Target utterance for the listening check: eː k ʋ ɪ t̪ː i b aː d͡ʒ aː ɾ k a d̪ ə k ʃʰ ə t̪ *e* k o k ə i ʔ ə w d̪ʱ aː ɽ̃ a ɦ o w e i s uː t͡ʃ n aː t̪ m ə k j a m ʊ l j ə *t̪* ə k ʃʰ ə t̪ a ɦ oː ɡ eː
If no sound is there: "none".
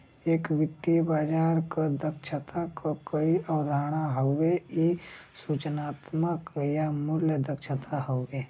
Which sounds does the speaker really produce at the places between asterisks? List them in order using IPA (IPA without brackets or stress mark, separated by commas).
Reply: a, d̪